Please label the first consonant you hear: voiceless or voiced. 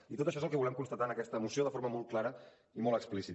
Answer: voiceless